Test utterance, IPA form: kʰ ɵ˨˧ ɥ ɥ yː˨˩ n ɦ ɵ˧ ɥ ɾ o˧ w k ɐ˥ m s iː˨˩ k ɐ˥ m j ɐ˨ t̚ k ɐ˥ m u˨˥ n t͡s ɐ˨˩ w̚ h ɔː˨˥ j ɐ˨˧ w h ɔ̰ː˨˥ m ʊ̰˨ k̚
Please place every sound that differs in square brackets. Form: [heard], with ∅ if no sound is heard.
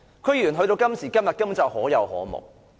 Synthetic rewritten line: kʰ ɵ˨˧ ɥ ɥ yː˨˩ n ɦ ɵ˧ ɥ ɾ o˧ w k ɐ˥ m s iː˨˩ k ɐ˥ m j ɐ˨ t̚ k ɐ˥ m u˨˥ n t͡s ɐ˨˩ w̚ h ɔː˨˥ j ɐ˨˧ w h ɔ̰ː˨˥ m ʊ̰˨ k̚